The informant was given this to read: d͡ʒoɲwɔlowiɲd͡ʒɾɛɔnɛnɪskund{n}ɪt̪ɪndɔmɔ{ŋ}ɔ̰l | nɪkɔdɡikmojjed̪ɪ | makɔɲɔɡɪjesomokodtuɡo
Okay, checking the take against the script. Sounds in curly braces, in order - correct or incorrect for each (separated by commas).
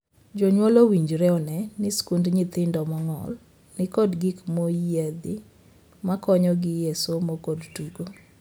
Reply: incorrect, correct